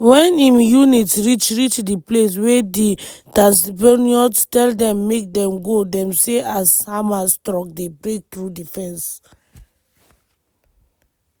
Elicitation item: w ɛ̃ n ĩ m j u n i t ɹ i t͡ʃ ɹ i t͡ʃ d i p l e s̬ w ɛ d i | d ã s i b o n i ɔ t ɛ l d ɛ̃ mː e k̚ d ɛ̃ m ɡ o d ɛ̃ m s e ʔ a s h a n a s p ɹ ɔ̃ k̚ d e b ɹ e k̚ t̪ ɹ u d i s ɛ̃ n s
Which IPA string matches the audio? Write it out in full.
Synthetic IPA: w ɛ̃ n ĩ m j u n i t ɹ i t͡ʃ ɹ i t͡ʃ d i p l e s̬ w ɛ d i | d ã s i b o n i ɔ t ɛ l d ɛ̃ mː e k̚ d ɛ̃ m ɡ o d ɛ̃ m s e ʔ a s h a m a s t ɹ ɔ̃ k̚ d e b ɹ e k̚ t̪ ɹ u d i f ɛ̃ n s